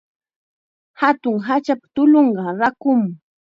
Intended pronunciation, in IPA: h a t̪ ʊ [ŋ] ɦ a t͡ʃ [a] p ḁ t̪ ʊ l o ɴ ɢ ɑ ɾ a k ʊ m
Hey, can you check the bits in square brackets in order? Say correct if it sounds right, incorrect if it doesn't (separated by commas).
correct, correct